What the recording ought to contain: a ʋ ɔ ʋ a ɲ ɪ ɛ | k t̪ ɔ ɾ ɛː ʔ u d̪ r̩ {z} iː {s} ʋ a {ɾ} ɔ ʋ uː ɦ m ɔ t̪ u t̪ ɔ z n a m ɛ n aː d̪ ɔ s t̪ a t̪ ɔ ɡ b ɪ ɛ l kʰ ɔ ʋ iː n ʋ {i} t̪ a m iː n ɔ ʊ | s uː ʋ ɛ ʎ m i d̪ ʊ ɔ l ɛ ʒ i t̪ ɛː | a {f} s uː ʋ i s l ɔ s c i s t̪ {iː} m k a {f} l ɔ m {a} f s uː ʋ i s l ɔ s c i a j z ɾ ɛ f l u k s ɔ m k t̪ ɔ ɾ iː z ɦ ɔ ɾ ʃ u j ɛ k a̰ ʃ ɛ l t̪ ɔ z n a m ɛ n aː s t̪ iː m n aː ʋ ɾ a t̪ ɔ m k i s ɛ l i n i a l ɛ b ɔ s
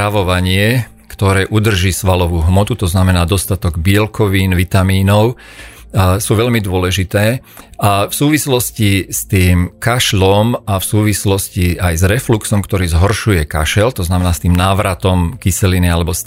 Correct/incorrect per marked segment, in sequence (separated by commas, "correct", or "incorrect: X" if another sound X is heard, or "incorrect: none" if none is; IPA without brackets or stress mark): incorrect: ʒ, correct, incorrect: l, correct, correct, correct, incorrect: ʃ, correct